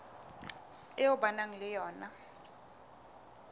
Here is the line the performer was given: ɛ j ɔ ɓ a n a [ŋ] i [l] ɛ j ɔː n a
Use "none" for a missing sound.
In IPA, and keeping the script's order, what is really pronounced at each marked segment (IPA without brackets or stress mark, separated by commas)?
ŋ, l